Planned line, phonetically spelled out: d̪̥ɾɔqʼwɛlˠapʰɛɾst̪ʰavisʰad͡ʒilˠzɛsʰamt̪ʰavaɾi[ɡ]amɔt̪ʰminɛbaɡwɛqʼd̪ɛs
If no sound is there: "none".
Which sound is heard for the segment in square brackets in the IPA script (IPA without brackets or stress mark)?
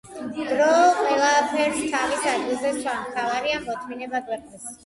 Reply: none